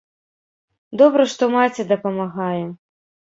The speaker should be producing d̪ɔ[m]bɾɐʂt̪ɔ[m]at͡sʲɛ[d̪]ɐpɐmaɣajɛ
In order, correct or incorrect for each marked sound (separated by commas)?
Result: incorrect, correct, correct